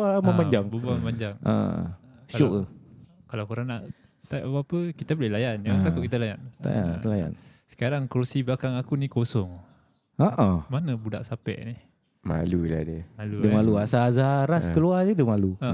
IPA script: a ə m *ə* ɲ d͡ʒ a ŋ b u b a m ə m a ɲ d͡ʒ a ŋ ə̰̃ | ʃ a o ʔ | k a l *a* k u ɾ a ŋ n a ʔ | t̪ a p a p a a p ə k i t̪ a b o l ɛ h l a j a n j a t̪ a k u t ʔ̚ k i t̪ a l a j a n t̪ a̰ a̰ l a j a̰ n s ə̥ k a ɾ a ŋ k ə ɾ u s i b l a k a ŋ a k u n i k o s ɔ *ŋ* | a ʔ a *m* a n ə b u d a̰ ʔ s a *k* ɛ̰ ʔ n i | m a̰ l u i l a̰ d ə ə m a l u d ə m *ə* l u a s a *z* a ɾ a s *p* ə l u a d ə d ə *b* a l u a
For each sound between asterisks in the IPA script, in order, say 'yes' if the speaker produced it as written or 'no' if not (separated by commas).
no, yes, yes, yes, no, no, yes, no, no